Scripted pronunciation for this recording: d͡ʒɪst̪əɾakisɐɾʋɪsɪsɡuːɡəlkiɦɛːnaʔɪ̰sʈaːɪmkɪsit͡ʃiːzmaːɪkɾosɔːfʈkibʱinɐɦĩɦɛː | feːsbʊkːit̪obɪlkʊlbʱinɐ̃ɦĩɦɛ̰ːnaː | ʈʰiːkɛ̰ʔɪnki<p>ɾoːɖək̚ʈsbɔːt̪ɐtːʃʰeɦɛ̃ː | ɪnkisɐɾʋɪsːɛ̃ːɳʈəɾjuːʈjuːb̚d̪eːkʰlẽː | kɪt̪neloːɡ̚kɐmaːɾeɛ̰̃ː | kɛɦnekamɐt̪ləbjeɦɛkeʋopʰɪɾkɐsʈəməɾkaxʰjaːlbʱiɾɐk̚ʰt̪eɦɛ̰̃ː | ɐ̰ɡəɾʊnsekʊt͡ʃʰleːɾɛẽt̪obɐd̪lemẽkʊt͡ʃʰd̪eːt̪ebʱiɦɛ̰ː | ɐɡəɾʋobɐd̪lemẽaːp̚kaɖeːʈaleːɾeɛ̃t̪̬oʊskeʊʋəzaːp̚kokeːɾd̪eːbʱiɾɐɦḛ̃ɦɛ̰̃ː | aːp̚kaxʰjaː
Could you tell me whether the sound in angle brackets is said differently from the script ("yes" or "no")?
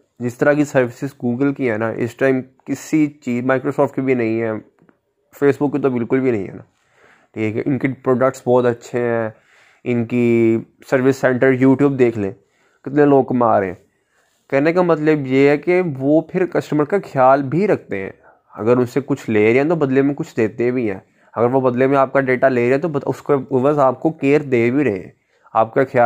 no